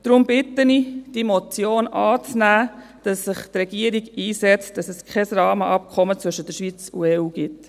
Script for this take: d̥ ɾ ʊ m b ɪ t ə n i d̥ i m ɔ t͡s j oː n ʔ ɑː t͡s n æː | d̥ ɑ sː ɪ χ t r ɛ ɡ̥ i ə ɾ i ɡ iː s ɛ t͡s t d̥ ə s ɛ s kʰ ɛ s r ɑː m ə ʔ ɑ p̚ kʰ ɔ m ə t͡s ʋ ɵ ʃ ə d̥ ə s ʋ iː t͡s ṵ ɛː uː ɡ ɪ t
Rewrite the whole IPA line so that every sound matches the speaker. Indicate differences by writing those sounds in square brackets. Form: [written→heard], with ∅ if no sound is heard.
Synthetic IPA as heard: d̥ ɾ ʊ m b ɪ t ə n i d̥ i m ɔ t͡s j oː n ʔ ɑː t͡s n æː | d̥ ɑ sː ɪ χ t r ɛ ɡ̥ i ə ɾ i ɡ iː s ɛ t͡s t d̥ [ə→ɑ] s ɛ s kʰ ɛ s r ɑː m ə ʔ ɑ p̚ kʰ ɔ m ə t͡s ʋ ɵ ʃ ə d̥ ə [s→ʃ] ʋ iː t͡s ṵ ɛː uː ɡ ɪ t